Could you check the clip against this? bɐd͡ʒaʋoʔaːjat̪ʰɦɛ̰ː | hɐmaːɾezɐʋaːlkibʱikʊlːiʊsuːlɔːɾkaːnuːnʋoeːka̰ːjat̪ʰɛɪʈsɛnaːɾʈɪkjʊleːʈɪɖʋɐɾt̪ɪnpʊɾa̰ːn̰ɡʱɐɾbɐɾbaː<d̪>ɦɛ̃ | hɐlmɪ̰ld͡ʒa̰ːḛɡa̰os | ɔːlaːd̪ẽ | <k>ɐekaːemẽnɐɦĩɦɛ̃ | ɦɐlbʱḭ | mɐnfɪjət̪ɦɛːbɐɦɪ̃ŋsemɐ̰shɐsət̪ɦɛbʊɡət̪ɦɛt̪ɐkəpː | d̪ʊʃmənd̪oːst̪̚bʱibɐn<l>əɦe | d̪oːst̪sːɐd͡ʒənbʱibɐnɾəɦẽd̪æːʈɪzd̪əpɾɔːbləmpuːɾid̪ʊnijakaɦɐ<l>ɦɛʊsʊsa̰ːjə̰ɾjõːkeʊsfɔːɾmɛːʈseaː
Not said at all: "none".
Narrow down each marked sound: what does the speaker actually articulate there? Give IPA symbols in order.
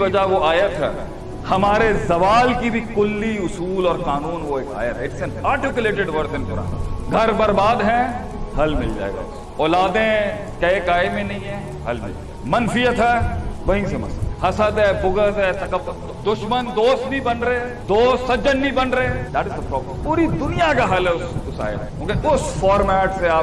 d̪, k, ɾ, l

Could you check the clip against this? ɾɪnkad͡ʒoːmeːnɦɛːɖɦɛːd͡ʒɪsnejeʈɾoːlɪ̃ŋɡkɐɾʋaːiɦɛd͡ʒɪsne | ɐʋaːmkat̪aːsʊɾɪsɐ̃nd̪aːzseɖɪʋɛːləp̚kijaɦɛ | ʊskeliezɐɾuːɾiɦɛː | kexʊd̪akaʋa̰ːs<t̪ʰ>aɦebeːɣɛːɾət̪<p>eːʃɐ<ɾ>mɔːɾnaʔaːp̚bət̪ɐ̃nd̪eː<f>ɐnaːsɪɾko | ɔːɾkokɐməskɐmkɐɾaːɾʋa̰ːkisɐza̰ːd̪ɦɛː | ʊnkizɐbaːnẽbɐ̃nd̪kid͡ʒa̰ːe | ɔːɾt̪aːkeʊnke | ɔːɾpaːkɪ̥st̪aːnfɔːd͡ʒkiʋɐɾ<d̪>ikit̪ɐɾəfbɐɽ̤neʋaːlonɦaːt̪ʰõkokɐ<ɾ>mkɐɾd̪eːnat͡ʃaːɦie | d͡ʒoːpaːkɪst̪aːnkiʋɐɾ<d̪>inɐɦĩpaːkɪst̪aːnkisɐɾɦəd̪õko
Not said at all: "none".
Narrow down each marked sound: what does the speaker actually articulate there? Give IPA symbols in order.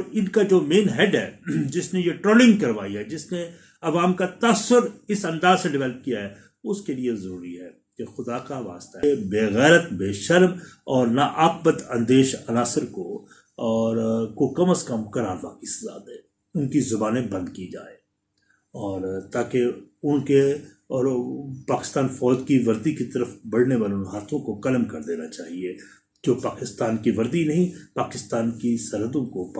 t̪, b, ɾ, ʃ, d̪, l, d̪

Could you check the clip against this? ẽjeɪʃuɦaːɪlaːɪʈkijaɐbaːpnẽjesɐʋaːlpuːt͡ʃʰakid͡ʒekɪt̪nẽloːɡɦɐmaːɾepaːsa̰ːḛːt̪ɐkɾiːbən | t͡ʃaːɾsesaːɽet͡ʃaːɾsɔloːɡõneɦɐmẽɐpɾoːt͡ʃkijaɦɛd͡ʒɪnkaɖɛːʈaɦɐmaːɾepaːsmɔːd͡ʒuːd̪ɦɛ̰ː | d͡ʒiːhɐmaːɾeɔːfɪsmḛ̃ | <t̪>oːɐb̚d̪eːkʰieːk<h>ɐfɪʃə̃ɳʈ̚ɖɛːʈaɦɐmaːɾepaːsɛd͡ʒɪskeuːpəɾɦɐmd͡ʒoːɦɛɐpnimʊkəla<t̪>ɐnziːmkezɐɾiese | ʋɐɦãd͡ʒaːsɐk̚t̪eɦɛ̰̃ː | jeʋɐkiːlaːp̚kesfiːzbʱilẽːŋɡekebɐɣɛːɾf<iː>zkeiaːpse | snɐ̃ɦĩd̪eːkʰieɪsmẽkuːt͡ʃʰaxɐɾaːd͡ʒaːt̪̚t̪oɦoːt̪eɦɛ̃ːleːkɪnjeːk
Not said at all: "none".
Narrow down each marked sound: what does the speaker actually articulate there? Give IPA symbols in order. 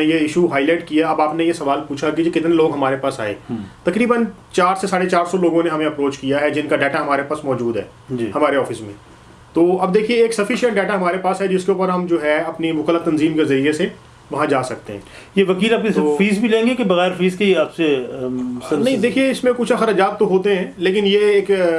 t̪, s, t̪, iː

